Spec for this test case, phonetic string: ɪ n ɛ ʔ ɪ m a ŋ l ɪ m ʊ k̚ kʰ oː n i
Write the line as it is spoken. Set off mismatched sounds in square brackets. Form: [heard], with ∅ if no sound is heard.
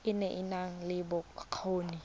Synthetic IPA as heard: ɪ n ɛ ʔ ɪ [n] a ŋ l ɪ [b] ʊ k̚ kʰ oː n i